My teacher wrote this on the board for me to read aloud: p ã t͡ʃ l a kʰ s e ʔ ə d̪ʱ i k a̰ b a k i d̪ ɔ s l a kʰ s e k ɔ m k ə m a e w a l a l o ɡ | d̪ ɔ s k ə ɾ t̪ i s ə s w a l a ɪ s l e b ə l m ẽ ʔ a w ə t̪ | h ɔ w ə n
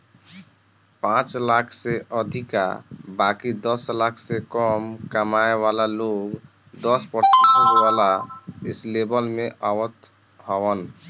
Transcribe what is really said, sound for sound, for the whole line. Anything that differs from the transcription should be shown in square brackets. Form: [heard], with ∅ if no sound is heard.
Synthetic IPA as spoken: p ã t͡ʃ l a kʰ s e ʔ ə d̪ʱ i k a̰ b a k i d̪ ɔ s l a kʰ s e k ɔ m k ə m a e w a l a l o ɡ | d̪ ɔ s [p] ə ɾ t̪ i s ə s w a l a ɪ s l e b ə l m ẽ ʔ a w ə t̪ | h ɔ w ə n

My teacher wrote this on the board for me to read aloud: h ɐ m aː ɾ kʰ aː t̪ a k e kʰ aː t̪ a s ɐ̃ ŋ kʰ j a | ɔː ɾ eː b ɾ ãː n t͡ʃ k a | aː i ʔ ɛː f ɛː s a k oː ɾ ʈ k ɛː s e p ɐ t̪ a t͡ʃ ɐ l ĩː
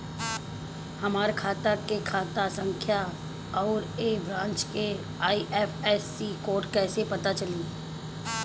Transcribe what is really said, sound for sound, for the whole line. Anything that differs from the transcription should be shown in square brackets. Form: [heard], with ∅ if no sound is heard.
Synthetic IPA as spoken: h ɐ m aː ɾ kʰ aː t̪ a k e kʰ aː t̪ a s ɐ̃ ŋ kʰ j a | ɔː ɾ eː b ɾ ãː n t͡ʃ k [e] | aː i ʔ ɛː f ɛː s [i] k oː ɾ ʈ k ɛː s e p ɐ t̪ a t͡ʃ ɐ l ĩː

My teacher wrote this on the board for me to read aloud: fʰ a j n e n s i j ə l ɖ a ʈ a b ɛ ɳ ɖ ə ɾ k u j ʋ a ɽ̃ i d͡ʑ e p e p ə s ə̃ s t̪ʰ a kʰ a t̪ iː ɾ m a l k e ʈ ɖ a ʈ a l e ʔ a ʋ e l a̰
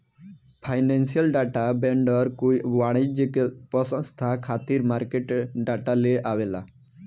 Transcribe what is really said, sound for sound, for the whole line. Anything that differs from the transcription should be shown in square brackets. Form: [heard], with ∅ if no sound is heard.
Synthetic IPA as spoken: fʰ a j n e n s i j ə l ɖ a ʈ a b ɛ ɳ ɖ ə ɾ k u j ʋ a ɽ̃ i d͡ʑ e [k] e p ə s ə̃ s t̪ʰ a kʰ a t̪ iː ɾ m a [ɾ] k e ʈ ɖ a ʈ a l e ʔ a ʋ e l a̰

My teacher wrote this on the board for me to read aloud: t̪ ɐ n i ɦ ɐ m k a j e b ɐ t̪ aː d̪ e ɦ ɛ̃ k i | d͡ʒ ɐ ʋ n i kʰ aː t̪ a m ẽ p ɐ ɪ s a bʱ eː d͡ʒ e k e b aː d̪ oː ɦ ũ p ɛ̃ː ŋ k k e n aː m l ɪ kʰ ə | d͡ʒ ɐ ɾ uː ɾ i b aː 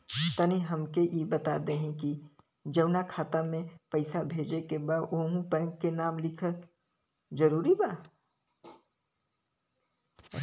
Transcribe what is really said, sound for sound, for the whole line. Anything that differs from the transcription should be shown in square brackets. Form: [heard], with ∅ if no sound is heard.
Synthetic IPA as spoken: t̪ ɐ n i ɦ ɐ m k [e] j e b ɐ t̪ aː d̪ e ɦ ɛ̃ k i | d͡ʒ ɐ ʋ n [a] kʰ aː t̪ a m ẽ p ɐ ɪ s a bʱ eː d͡ʒ e k e b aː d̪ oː ɦ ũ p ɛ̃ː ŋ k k e n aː m l ɪ kʰ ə | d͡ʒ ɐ ɾ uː ɾ i b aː

